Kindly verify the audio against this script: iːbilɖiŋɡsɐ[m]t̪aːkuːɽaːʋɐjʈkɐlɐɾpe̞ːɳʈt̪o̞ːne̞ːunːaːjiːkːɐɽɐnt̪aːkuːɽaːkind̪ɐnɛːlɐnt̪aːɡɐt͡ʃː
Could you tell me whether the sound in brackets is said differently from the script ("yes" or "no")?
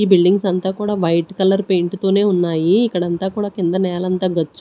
yes